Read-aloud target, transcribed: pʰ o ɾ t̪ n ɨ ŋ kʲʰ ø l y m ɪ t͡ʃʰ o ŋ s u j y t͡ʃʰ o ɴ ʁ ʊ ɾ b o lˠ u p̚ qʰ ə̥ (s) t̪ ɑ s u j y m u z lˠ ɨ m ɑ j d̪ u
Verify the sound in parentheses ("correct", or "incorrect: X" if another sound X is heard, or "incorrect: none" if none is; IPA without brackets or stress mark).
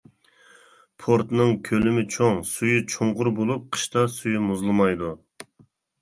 incorrect: ʃ